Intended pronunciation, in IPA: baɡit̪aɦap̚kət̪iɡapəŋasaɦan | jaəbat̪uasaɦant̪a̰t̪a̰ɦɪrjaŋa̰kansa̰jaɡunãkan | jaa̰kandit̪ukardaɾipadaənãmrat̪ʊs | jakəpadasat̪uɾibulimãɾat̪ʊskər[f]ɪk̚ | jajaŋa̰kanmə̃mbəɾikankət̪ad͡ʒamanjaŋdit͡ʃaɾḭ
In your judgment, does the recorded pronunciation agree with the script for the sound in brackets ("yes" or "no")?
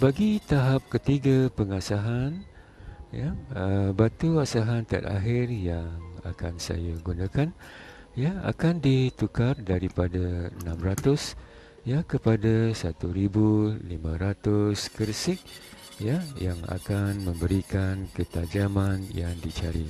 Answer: no